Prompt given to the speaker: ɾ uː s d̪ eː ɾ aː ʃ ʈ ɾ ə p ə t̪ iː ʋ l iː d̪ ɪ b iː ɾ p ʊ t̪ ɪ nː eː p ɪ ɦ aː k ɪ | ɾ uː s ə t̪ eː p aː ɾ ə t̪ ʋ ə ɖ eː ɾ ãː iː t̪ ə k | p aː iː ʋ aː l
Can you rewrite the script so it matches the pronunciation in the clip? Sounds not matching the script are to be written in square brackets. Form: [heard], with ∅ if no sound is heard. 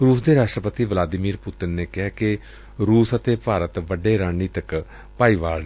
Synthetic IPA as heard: ɾ uː s d̪ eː ɾ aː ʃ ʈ ɾ ə p ə t̪ iː ʋ l [aː] d̪ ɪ [m] iː ɾ p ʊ t̪ ɪ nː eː [k] ɪ ɦ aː k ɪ | ɾ uː s ə t̪ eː p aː ɾ ə t̪ ʋ ə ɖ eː ɾ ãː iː t̪ ə k | p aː iː ʋ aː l